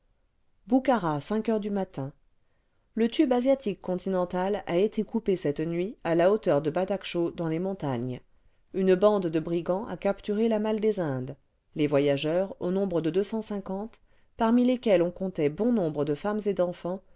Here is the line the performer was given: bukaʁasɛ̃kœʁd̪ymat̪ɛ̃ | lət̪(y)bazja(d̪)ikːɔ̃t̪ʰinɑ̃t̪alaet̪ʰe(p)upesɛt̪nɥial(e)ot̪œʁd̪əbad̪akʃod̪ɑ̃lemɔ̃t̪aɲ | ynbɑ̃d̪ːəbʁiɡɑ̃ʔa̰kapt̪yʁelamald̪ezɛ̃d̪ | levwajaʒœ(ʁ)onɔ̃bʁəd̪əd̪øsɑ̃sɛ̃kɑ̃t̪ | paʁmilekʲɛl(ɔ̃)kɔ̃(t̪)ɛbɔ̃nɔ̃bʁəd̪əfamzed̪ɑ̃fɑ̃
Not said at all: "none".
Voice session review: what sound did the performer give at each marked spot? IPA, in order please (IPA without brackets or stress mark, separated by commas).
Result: y, t̪, k, a, ʁ, ɔ̃, t̪